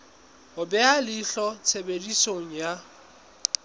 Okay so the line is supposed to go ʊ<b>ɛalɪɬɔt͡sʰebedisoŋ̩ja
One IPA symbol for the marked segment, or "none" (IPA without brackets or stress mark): b